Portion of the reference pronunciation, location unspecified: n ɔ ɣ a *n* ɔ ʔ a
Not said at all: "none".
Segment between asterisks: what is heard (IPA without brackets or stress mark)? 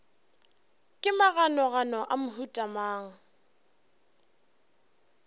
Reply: n